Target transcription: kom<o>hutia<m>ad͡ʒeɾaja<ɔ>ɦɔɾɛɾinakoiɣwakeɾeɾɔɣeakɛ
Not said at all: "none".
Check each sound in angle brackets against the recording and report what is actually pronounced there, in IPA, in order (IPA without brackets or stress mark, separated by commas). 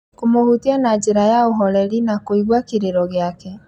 o, n, o